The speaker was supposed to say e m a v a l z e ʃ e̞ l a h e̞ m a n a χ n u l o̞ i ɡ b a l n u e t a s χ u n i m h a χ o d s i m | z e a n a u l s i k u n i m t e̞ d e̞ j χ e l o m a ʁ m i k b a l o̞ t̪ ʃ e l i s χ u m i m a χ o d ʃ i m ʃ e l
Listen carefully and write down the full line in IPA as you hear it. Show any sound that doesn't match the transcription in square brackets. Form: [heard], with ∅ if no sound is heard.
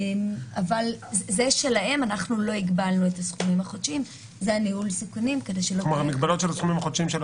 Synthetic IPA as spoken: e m a v a l z e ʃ e̞ l a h e̞ m a n a χ n u l o̞ i ɡ b a l n u e t a s χ u [m] i m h a χ o d [ʃ] i m | z e a n [i] u l s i k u n i m [k] e̞ d e̞ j [ʃ] e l o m a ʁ m i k b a l o̞ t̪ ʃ e l [a] s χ u m i m a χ o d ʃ i m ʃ e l